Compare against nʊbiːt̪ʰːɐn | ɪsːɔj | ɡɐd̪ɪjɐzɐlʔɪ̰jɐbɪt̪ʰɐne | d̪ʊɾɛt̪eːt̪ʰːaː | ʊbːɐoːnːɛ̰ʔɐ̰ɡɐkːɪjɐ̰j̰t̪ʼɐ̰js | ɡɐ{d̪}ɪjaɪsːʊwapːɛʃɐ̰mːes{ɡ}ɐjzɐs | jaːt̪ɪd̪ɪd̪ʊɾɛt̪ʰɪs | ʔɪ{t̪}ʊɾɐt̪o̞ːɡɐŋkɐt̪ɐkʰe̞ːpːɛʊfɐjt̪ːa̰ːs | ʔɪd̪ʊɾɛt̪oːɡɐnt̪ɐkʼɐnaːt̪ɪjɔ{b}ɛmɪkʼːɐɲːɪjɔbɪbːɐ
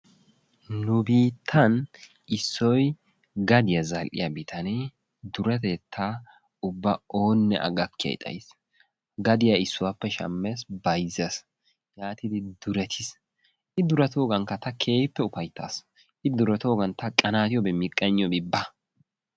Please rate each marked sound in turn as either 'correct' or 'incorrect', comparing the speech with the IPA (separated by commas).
correct, incorrect, incorrect, correct